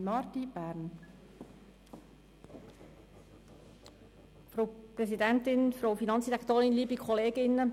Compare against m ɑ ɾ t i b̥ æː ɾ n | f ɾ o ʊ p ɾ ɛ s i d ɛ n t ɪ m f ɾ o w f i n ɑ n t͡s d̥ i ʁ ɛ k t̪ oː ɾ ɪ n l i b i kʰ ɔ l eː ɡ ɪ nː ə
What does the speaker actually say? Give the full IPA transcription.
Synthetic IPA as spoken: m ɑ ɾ t i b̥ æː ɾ n | f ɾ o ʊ p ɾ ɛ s i d ɛ n t ɪ n f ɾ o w f i n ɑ n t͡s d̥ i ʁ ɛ k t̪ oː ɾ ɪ n l iː b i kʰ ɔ l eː ɡ ɪ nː ə